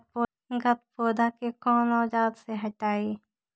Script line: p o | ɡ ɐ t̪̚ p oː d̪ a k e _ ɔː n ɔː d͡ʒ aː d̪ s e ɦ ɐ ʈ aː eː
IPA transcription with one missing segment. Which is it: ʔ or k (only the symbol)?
k